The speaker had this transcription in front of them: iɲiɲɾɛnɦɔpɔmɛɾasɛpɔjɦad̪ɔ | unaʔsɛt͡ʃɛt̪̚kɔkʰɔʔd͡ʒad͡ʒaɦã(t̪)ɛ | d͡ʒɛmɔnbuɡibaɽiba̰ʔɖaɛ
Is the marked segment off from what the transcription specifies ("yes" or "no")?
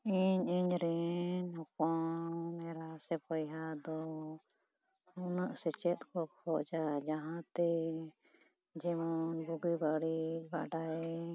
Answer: no